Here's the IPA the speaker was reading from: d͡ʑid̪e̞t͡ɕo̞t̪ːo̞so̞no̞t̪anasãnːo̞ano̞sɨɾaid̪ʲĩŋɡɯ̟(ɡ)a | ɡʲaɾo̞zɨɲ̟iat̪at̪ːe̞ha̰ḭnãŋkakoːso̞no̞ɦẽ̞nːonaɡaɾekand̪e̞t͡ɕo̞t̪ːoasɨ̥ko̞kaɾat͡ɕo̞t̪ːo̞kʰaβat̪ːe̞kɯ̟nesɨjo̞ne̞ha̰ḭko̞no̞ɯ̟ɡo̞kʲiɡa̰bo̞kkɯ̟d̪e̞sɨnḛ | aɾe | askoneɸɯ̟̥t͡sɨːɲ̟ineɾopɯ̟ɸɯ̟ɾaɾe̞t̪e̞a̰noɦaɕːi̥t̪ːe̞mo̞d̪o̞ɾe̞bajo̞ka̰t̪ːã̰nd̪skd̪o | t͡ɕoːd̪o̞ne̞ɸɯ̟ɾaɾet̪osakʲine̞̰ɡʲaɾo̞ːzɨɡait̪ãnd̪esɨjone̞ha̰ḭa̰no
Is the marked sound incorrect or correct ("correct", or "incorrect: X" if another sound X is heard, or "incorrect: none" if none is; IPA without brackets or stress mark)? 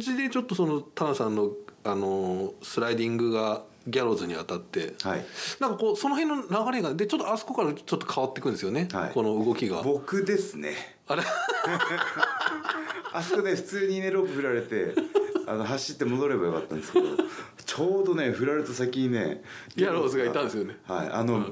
correct